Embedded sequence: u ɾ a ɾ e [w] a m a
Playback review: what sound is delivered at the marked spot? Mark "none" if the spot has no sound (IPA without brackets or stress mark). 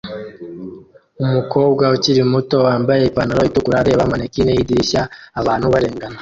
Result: β